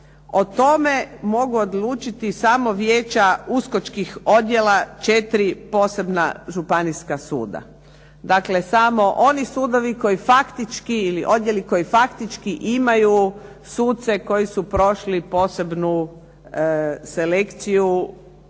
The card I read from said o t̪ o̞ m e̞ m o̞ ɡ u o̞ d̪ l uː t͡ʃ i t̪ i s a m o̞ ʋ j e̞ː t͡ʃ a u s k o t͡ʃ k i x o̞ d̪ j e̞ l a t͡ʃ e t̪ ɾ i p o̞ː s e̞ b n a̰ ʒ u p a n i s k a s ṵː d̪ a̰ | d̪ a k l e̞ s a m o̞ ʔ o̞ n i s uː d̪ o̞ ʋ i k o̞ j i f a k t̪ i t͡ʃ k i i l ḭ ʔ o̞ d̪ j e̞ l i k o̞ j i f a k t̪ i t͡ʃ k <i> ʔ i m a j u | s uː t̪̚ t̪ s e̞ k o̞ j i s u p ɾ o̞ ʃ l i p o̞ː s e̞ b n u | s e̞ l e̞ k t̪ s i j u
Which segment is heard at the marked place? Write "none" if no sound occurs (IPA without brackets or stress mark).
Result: i